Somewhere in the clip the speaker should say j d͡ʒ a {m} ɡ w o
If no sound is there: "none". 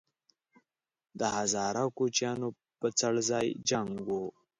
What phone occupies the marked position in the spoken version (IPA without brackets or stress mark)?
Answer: ŋ